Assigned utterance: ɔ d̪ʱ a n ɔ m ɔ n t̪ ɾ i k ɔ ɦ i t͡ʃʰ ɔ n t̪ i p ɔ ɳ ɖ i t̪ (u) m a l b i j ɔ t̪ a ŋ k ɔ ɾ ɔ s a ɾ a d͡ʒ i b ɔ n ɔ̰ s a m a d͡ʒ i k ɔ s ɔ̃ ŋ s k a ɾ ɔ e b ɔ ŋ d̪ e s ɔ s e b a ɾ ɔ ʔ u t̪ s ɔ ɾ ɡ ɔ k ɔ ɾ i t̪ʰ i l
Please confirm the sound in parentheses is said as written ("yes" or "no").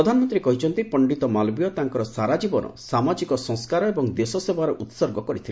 no